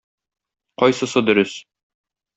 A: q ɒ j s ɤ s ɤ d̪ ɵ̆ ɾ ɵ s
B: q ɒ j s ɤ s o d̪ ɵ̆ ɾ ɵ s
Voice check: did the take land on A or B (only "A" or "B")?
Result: A